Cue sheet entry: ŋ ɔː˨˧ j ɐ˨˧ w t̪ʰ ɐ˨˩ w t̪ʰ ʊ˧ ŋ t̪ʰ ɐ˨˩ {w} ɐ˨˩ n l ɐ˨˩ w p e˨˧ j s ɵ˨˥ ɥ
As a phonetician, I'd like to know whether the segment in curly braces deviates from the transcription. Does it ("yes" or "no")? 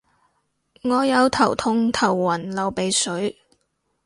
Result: yes